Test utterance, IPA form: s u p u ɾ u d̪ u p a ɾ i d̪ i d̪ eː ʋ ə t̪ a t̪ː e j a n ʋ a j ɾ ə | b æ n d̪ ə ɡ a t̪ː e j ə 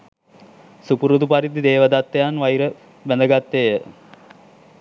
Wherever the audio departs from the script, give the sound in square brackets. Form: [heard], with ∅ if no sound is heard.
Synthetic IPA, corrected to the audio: s u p u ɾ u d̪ u p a ɾ i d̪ i d̪ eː ʋ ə [d̪] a t̪ː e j a n ʋ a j ɾ ə | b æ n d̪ ə ɡ a t̪ː e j ə